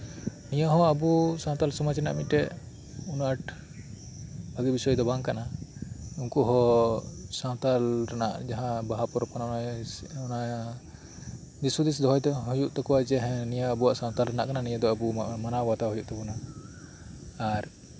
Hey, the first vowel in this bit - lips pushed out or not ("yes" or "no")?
no